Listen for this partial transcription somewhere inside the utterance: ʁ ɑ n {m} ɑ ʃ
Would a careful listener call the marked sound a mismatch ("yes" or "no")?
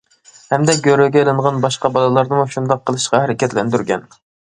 yes